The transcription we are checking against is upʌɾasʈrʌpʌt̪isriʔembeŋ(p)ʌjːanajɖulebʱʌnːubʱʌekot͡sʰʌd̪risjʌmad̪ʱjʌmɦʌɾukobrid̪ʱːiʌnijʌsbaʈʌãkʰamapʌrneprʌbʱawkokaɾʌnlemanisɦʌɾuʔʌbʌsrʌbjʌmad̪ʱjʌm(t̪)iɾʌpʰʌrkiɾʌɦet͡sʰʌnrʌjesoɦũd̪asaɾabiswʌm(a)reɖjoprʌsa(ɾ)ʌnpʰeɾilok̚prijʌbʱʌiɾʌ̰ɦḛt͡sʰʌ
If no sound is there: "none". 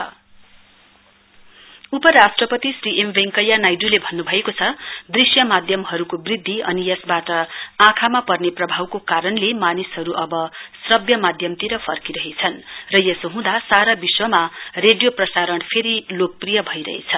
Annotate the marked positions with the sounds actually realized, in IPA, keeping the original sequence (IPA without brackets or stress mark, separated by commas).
k, t̪, a, ɾ